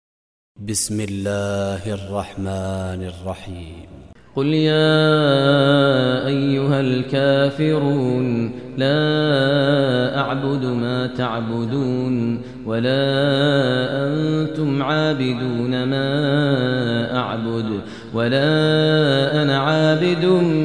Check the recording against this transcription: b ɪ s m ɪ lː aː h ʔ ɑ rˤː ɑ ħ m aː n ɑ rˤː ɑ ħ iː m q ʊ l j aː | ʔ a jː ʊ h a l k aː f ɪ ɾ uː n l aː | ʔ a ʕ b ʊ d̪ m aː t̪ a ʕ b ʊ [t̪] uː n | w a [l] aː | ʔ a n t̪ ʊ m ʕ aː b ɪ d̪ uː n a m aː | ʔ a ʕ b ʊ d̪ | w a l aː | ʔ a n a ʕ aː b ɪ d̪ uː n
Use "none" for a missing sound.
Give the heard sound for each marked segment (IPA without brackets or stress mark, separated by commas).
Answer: d̪, l